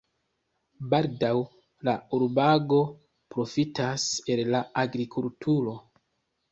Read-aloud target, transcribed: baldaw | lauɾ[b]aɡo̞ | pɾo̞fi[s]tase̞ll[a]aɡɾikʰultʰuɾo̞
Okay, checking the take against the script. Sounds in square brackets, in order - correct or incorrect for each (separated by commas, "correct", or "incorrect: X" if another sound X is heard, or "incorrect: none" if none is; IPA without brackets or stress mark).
correct, incorrect: none, correct